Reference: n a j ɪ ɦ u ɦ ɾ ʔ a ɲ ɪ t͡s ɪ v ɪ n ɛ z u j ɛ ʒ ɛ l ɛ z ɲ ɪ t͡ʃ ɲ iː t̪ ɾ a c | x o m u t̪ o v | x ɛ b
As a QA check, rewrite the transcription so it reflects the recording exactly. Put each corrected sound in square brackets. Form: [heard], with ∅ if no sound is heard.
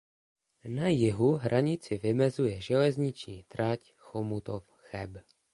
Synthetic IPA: n a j ɪ ɦ u ɦ ɾ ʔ a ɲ ɪ t͡s ɪ v ɪ [m] ɛ z u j ɛ ʒ ɛ l ɛ z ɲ ɪ t͡ʃ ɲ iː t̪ ɾ a c | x o m u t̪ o [f] | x ɛ b